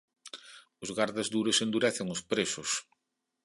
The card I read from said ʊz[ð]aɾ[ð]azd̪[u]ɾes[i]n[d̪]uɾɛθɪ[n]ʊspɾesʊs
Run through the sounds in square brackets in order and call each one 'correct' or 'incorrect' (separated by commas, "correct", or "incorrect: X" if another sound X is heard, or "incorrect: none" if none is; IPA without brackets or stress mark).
incorrect: ɣ, correct, correct, incorrect: e, correct, incorrect: ŋ